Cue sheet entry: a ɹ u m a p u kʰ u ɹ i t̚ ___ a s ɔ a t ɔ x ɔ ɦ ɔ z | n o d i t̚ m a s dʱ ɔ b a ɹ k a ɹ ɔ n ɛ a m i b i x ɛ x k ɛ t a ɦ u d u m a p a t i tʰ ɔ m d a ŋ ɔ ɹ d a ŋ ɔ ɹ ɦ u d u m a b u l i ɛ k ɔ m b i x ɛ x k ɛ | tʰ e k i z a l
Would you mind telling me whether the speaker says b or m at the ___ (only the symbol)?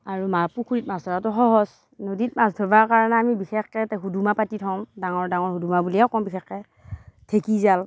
m